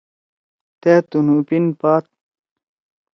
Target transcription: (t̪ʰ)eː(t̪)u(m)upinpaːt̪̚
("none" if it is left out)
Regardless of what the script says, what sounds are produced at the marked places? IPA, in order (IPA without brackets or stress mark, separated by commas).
t̪, t̪, n